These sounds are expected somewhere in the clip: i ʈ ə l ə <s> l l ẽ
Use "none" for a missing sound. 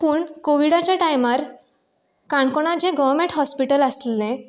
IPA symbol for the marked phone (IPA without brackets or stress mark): s